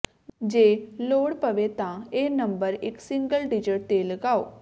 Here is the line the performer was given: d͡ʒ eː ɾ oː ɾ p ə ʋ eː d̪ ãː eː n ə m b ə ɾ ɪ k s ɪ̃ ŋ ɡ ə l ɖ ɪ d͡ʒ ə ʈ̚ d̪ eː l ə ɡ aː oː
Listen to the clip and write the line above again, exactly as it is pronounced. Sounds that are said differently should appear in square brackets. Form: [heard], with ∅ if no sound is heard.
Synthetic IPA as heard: d͡ʒ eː [l] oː [ɽ] p ə ʋ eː [t̪] ãː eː n ə m b ə ɾ ɪ k s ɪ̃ ŋ ɡ ə l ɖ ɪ d͡ʒ ə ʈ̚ [t̪] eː l ə ɡ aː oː